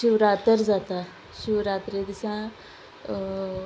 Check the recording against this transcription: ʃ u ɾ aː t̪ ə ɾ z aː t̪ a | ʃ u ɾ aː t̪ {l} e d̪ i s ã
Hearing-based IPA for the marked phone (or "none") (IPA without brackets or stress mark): ɾ